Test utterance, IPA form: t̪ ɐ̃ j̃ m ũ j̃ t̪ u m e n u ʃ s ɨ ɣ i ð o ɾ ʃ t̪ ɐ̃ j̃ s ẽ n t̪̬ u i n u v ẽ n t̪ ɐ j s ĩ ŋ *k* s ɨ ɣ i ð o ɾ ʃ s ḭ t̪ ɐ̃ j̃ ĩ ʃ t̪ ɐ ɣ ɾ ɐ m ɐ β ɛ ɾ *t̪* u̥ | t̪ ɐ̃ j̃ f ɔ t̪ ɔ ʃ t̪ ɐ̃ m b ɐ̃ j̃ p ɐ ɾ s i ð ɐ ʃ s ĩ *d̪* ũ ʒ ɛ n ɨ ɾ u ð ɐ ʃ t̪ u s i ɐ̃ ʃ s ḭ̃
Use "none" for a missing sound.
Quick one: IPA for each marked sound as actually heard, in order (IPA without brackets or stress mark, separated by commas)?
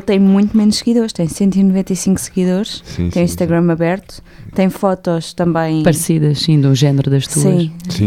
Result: k, t̪, d̪